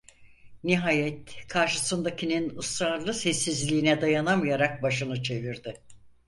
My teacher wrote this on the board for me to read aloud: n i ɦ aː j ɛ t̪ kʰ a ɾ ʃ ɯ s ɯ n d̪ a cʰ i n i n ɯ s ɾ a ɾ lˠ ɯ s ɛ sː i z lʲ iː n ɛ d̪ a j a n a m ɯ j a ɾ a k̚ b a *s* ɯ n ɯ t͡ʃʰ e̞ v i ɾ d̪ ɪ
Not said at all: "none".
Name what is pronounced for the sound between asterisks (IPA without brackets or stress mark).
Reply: ʃ